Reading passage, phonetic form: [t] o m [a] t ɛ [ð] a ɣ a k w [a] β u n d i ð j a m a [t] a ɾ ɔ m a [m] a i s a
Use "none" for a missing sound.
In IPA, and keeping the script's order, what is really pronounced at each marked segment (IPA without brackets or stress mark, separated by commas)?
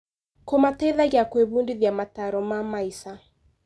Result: k, a, ð, e, t, m